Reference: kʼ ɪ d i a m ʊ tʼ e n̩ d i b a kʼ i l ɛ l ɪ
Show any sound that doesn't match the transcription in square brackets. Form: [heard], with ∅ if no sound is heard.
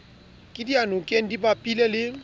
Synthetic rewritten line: kʼ ɪ d i a [n] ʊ [kʼ] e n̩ d i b a [pʼ] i l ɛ l ɪ